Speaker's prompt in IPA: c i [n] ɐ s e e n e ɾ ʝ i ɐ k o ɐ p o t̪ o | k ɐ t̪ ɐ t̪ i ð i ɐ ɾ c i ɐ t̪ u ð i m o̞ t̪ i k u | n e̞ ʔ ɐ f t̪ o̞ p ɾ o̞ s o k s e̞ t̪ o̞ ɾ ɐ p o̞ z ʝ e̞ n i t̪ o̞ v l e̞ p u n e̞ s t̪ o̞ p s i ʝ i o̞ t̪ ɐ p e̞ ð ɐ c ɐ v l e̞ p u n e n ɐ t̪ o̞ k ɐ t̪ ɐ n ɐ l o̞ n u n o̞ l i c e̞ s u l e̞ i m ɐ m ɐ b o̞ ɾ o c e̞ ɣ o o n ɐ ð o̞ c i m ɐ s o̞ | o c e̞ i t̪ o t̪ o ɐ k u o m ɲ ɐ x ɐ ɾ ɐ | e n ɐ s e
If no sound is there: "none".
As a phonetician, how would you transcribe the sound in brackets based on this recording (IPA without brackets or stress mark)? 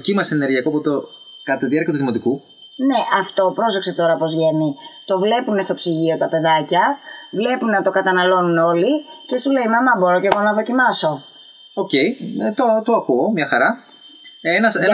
m